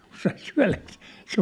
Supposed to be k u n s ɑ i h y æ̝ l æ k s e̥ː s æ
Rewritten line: k u n s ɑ i s y æ̝ l æ k s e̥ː s e